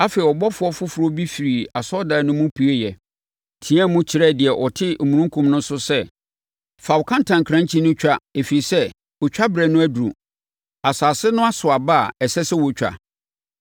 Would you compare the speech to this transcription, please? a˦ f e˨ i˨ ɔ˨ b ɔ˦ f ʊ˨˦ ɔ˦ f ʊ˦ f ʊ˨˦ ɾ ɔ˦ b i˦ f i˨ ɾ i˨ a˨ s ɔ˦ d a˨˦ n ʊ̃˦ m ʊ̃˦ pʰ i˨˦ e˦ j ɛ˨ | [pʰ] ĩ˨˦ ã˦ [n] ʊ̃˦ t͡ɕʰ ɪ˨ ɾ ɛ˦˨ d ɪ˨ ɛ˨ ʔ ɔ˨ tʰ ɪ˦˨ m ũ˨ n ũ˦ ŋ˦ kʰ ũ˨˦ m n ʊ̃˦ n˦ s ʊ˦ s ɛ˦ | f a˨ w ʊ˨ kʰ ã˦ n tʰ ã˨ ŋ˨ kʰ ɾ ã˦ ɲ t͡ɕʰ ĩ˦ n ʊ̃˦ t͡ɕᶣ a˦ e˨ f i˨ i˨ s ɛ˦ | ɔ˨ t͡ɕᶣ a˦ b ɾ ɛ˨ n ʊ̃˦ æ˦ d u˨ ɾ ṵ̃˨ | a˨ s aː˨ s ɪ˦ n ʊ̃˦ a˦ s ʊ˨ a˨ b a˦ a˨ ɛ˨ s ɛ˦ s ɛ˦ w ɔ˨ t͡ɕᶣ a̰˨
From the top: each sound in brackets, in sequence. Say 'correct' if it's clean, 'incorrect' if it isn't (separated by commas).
incorrect, incorrect